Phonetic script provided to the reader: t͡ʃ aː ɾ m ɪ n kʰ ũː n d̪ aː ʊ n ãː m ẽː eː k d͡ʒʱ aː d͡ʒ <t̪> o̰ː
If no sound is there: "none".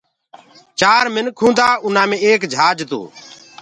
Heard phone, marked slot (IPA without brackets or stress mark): t̪